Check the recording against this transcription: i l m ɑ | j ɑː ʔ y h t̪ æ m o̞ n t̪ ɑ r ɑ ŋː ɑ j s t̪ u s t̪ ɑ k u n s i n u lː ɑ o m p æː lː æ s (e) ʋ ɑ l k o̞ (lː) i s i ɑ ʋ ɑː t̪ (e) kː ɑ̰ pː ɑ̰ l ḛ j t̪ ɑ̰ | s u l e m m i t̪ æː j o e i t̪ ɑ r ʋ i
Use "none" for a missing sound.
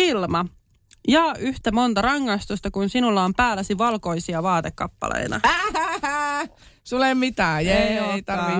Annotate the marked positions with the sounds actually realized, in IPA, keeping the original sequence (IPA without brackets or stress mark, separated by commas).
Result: i, none, e